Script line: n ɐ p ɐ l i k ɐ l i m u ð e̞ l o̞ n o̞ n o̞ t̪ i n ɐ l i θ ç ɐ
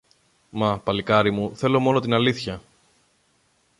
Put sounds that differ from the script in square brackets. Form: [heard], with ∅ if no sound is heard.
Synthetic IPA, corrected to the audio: [m] ɐ p ɐ l i k ɐ [ɾ] i m u [θ] e̞ l o̞ [m] o̞ n o̞ t̪ i n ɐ l i θ ç ɐ